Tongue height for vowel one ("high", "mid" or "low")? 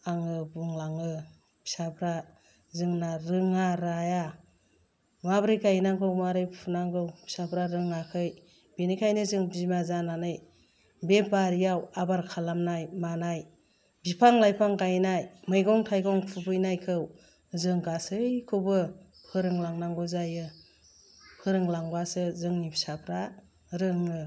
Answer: low